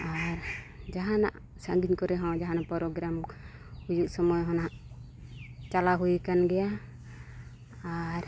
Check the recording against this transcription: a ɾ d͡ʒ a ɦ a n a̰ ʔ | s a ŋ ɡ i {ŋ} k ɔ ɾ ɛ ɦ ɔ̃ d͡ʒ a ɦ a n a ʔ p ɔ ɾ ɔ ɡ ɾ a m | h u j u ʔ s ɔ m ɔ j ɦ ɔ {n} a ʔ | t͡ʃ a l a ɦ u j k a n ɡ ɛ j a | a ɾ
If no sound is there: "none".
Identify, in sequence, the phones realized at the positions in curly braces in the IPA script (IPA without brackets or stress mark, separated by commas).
ɲ, n